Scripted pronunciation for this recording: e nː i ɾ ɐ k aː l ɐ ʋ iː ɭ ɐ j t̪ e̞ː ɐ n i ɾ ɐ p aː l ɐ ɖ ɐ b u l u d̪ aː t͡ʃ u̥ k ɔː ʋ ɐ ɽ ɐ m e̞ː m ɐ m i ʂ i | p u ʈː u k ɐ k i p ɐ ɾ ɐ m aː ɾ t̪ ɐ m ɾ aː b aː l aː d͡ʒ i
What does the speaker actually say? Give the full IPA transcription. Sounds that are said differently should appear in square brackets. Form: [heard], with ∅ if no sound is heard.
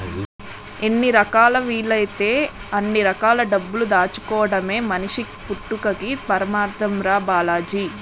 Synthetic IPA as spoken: e nː i ɾ ɐ k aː l ɐ ʋ iː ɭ ɐ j t̪ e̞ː ɐ [nː] i ɾ ɐ [k] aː l ɐ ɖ ɐ [bː] u l u d̪ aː t͡ʃ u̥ k ɔː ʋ ɐ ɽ ɐ m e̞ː m ɐ [n] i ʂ i | p u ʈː u k ɐ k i p ɐ ɾ ɐ m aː ɾ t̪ ɐ m ɾ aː b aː l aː d͡ʒ i